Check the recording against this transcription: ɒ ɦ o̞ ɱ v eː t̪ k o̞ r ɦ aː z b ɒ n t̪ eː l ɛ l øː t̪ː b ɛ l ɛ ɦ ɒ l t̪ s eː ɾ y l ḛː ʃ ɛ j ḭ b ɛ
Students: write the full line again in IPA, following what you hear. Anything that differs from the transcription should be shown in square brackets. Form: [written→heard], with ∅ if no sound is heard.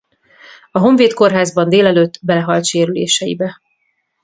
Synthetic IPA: ɒ ɦ o̞ ɱ v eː t̪ k o̞ r ɦ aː z b ɒ n [t̪→d̪] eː l ɛ l øː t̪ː b ɛ l ɛ ɦ ɒ l t̪ [s→ʃ] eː ɾ y l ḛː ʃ ɛ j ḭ b ɛ

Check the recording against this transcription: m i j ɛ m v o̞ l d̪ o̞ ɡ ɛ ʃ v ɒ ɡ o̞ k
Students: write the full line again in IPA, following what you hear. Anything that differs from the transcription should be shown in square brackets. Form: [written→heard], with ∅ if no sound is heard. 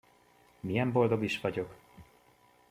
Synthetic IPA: m i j ɛ m [v→b] o̞ l d̪ o̞ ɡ [ɛ→i] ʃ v ɒ [ɡ→ɟ] o̞ k

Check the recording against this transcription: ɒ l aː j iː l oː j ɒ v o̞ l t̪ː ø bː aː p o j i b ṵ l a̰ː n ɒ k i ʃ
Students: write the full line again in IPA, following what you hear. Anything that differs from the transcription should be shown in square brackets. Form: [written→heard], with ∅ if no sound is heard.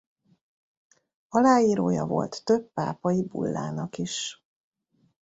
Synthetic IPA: ɒ l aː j iː [l→ɾ] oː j ɒ v o̞ l t̪ː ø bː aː p [o→ɒ] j i b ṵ [l→lː] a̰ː n ɒ k i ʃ

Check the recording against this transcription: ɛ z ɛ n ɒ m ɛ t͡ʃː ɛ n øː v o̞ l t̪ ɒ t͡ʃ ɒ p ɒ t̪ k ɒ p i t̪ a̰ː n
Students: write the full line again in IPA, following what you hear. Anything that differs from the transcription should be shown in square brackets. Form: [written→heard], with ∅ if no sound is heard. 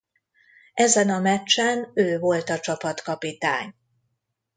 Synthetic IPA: ɛ z ɛ n ɒ m ɛ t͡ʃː ɛ n øː v o̞ l t̪ ɒ t͡ʃ ɒ p ɒ t̪ k ɒ p i t̪ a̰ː [n→ɲ]

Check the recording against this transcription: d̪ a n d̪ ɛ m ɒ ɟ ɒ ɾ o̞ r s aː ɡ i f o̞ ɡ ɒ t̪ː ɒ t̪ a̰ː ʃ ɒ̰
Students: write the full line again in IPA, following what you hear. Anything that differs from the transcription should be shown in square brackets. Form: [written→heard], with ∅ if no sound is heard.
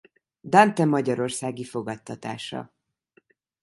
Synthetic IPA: d̪ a n [d̪→t̪] ɛ m ɒ ɟ ɒ ɾ o̞ r s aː ɡ i f o̞ ɡ ɒ t̪ː ɒ t̪ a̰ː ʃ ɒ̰

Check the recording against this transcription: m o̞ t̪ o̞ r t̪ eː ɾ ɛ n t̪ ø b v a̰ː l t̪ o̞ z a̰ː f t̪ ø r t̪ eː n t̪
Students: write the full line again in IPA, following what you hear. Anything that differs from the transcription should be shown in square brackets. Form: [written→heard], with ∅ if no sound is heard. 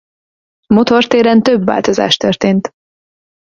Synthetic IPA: m o̞ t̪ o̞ r t̪ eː ɾ ɛ n t̪ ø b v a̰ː l t̪ o̞ z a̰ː [f→ʃ] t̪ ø r t̪ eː n t̪

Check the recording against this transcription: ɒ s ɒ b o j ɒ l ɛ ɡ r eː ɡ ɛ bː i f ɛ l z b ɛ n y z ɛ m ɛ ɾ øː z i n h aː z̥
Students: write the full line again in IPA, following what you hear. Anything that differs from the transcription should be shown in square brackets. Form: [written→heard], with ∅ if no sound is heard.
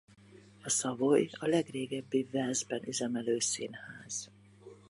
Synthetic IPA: ɒ s ɒ [b→v] o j ɒ l ɛ ɡ r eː ɡ ɛ bː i [f→v] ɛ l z b ɛ n y z ɛ m ɛ [ɾ→l] øː [z→s] i n h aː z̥

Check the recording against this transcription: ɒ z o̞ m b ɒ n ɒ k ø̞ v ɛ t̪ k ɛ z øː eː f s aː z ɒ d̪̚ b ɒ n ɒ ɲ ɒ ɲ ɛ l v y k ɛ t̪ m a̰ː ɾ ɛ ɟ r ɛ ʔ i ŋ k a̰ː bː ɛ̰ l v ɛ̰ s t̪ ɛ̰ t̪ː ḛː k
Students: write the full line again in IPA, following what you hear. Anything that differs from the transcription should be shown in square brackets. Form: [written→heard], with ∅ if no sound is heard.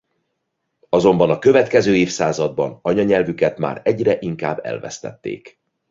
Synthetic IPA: ɒ z o̞ m b ɒ n ɒ k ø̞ v ɛ t̪ k ɛ z øː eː f s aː z ɒ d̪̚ b ɒ n ɒ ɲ ɒ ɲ ɛ l v y k ɛ t̪ m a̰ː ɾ ɛ ɟ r ɛ ʔ i ŋ k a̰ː bː ɛ̰ l v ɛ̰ s t̪ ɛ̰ t̪ː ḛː k

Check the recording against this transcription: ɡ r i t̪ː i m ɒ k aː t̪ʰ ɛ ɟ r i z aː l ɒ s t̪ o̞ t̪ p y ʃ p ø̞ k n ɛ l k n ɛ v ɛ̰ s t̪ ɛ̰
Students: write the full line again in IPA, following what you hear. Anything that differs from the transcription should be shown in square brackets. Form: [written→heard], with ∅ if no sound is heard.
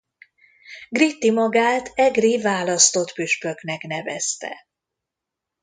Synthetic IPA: ɡ r i t̪ː i m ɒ [k→ɡ] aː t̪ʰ ɛ [ɟ→ɡ] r i [z→v] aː l ɒ s t̪ o̞ t̪ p y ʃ p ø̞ k n ɛ [l→∅] k n ɛ v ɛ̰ s t̪ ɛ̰

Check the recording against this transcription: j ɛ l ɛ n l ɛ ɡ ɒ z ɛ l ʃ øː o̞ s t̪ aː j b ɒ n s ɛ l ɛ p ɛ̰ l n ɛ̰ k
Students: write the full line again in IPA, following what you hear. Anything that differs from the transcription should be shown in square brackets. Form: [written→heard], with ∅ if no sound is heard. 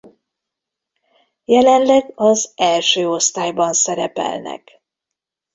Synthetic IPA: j ɛ l ɛ n l ɛ ɡ ɒ z ɛ l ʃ øː o̞ s t̪ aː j b ɒ n s ɛ [l→ɾ] ɛ p ɛ̰ l n ɛ̰ k

